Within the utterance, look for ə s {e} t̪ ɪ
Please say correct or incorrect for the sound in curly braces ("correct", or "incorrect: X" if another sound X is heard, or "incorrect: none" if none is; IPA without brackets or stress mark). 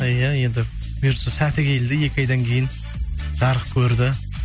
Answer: incorrect: æ